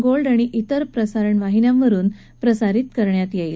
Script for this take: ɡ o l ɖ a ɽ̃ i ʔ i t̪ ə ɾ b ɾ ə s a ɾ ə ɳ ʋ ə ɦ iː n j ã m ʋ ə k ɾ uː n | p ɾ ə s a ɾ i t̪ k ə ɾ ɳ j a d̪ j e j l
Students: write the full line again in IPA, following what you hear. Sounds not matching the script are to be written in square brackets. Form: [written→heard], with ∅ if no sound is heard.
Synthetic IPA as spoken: ɡ o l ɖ a ɽ̃ i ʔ i t̪ ə ɾ [b→p] ɾ ə s a ɾ ə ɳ ʋ [ə→a] ɦ [iː→i] n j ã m ʋ ə [k→∅] ɾ uː n | p ɾ ə s a ɾ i t̪ k ə ɾ ɳ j a [d̪→t̪] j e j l

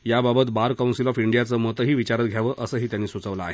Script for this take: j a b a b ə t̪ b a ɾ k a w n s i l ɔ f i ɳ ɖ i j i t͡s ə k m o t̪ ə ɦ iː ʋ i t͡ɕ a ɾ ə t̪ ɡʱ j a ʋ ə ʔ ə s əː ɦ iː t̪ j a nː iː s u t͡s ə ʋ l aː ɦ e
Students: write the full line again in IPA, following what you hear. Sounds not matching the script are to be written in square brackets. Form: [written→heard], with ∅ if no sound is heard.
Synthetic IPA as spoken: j a b a b ə t̪ b a ɾ k a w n s i l ɔ f i ɳ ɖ i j [i→a] t͡s ə [k→∅] m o t̪ ə ɦ iː ʋ i t͡ɕ a ɾ ə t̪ ɡʱ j a ʋ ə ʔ ə s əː ɦ iː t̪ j a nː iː s u t͡s ə ʋ l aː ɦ e

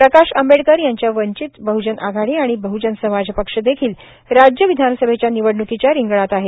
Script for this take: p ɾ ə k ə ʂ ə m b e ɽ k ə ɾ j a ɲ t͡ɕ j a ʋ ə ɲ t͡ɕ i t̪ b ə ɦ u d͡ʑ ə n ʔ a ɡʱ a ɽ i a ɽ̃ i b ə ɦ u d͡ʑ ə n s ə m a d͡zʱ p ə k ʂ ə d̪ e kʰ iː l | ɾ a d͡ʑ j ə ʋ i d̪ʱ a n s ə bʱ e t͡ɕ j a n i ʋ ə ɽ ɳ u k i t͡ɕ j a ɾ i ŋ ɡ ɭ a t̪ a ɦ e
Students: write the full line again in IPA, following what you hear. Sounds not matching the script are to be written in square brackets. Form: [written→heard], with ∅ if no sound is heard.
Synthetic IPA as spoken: p ɾ ə k [ə→a] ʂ ə m b e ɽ k ə ɾ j a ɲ t͡ɕ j a ʋ ə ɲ t͡ɕ i t̪ b ə ɦ u d͡ʑ ə n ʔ a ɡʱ a ɽ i a ɽ̃ i b ə ɦ u d͡ʑ ə n s ə m a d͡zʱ p ə k ʂ ə d̪ e kʰ iː l | ɾ a d͡ʑ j ə ʋ i d̪ʱ a n s ə bʱ e t͡ɕ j a n i ʋ ə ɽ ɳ u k i t͡ɕ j a ɾ i ŋ ɡ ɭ a t̪ a ɦ e

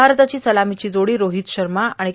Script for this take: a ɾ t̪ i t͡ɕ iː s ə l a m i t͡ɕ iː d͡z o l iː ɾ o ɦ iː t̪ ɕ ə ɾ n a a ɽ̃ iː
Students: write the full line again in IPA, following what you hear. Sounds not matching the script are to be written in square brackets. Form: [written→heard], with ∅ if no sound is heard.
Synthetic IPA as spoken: a ɾ t̪ [i→a] t͡ɕ iː s ə l a m i t͡ɕ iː d͡z o [l→ɽ] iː ɾ o ɦ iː t̪ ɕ ə ɾ [n→m] a a ɽ̃ [iː→i]

